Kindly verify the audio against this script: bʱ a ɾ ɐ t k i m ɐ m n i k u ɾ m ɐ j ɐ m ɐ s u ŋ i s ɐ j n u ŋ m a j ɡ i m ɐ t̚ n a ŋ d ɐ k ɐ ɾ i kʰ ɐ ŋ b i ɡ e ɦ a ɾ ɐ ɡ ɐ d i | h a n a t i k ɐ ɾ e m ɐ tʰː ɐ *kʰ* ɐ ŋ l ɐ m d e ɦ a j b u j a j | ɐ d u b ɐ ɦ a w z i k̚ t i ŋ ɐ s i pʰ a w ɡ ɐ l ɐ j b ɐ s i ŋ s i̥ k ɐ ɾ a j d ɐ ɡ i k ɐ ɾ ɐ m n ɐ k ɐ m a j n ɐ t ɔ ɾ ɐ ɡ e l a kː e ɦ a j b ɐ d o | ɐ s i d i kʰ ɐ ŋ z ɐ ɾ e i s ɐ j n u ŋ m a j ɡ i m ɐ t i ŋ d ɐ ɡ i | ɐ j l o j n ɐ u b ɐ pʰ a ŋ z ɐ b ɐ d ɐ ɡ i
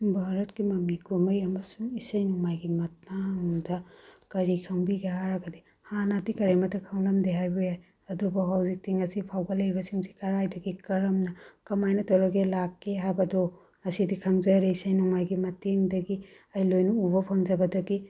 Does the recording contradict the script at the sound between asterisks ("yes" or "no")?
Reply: no